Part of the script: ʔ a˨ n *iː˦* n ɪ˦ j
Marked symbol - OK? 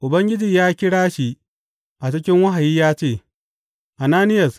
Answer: no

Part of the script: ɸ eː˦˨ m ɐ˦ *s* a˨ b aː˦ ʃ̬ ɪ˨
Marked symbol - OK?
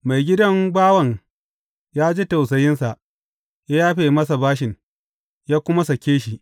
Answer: yes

